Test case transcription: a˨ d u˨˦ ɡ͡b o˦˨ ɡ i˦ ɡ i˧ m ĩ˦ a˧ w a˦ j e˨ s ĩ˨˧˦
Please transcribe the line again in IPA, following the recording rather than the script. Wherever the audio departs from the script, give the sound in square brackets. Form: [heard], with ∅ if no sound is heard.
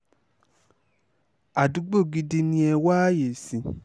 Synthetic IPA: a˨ d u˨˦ ɡ͡b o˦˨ ɡ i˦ [d] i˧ [n] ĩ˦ [ɛ˧] w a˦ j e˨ s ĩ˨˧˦